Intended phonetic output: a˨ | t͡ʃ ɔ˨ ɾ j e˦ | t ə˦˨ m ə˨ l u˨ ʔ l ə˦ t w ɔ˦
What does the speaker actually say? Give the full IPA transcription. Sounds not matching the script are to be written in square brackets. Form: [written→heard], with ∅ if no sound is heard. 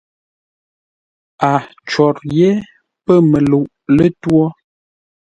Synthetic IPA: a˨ | t͡ʃ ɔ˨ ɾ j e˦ | [t→p] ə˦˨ m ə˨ l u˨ ʔ l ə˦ t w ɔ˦